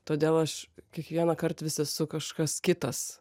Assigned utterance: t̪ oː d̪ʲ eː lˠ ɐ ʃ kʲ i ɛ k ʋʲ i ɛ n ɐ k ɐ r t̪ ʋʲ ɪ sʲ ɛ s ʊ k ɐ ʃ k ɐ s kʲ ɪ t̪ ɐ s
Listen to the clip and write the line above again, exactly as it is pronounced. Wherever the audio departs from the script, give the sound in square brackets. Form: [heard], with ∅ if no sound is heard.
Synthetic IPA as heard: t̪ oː d̪ʲ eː lˠ ɐ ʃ kʲ i ɛ k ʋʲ i ɛ n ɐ k ɐ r t̪ ʋʲ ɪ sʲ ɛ s ʊ k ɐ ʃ k ɐ s kʲ ɪ t̪ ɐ s